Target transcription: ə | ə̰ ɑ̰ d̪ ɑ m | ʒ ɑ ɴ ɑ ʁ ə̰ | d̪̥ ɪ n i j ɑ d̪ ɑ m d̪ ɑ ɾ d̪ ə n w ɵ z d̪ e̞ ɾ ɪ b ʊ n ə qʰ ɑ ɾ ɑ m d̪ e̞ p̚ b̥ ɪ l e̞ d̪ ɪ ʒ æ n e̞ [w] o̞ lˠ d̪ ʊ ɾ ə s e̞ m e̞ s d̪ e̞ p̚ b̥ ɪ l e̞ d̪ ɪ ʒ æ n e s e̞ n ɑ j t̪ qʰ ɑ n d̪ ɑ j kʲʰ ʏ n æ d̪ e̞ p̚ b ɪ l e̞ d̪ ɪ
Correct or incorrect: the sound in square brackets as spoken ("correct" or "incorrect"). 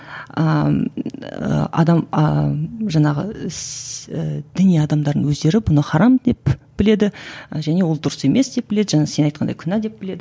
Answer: correct